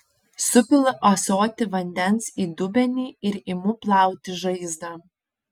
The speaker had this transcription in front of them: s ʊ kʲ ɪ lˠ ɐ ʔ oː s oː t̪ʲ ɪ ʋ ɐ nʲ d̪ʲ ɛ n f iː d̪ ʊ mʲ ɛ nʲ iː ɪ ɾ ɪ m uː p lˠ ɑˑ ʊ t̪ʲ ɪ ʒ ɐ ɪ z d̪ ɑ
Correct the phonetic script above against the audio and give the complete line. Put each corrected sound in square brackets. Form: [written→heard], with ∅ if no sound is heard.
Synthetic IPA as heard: s ʊ [kʲ→pʲ] ɪ lˠ ɐ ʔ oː s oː t̪ʲ ɪ ʋ ɐ nʲ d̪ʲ ɛ n [f→s] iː d̪ ʊ [mʲ→bʲ] ɛ nʲ iː ɪ ɾ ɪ m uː p lˠ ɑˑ ʊ t̪ʲ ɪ ʒ ɐ ɪ z d̪ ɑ